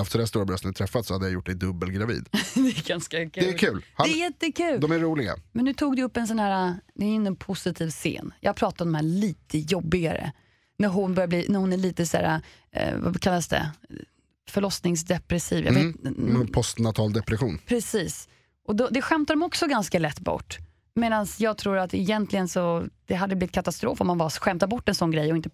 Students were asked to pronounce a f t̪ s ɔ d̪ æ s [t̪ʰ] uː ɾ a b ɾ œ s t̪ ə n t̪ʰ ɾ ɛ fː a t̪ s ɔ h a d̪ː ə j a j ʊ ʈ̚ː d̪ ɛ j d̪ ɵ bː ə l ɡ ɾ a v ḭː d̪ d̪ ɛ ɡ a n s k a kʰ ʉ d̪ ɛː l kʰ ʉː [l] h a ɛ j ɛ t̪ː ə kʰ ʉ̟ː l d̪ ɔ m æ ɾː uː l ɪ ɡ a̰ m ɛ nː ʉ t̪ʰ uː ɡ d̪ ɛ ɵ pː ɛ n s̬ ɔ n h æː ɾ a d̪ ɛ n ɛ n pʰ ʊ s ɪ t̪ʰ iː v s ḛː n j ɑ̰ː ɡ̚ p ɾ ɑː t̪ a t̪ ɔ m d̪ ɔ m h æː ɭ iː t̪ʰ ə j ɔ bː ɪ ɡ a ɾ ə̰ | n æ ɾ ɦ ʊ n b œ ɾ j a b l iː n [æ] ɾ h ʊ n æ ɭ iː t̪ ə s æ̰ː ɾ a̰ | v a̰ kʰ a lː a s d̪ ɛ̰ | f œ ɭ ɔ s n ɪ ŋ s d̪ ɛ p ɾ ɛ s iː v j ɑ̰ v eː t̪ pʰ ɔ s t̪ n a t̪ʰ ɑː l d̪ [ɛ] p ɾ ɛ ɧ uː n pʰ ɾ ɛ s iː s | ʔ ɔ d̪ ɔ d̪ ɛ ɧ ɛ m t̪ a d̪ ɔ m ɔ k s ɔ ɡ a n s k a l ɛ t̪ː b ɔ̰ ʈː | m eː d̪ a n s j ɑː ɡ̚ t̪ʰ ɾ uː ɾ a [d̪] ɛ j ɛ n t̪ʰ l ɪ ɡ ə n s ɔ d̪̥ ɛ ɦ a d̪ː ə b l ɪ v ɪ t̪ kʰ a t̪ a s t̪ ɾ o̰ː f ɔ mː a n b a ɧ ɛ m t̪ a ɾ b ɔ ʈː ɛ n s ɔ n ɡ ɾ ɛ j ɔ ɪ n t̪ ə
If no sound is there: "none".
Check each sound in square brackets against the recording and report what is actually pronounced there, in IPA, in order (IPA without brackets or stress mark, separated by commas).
t̪, l, æ, ɛ, t̪